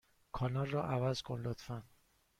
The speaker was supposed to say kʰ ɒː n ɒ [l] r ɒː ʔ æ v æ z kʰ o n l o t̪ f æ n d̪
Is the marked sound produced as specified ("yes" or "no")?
yes